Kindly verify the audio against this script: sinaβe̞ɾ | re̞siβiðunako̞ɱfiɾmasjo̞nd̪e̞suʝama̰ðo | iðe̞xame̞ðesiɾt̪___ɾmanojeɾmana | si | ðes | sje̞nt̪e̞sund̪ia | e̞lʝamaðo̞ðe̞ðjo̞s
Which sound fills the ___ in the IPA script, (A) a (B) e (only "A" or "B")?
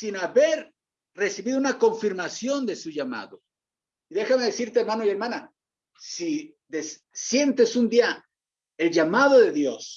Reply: B